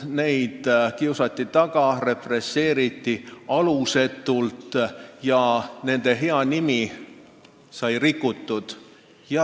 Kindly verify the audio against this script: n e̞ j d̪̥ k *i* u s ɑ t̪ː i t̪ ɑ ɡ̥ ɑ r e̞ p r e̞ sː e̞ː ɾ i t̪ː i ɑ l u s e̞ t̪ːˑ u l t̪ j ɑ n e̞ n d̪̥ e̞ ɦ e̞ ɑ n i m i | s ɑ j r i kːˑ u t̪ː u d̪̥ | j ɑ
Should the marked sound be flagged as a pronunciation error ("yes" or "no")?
no